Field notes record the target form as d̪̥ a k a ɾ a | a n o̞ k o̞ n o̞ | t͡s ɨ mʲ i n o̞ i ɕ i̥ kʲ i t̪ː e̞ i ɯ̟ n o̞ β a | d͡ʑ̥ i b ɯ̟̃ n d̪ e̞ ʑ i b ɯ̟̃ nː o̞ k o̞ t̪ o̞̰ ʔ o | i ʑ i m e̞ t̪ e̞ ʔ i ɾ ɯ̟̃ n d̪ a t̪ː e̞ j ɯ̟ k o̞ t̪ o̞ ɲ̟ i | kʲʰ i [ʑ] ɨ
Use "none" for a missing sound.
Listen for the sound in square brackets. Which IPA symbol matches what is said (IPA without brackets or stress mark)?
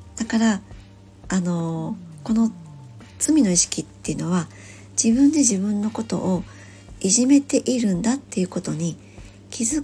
z